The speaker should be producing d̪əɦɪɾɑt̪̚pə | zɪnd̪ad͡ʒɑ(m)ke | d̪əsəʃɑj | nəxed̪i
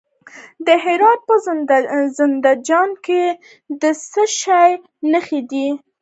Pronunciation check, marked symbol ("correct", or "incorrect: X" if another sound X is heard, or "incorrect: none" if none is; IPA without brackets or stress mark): incorrect: n